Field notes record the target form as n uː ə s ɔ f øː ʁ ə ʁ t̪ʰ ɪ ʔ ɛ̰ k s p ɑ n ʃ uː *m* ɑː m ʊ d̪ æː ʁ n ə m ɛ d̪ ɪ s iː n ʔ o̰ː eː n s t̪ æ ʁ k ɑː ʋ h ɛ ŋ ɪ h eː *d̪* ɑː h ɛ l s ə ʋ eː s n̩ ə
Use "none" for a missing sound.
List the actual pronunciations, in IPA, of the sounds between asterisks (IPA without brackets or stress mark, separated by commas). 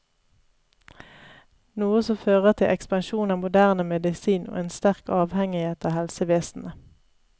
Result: n, t̪